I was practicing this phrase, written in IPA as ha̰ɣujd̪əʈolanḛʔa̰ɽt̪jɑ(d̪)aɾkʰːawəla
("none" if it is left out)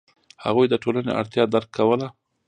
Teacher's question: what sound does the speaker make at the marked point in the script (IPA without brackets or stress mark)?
d̪